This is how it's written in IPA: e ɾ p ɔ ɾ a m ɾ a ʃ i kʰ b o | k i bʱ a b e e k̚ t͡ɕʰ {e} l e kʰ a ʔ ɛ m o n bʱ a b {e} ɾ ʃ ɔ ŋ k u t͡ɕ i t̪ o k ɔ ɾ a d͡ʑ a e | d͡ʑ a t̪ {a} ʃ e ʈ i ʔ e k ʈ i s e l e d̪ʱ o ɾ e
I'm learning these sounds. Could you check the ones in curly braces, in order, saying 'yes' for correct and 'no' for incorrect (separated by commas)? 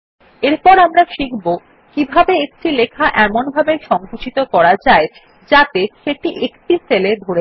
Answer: no, yes, no